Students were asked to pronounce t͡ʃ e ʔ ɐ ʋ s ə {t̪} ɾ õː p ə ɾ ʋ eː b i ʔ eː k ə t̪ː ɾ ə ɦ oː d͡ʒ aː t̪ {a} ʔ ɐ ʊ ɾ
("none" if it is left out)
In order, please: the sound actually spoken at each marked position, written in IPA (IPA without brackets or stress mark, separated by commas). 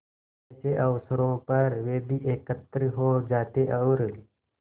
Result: none, e